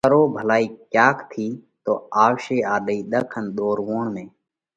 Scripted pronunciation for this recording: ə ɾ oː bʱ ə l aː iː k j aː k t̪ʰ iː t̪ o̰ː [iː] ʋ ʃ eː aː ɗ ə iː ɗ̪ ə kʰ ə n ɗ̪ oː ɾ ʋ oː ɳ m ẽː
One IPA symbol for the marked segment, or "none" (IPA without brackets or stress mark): aː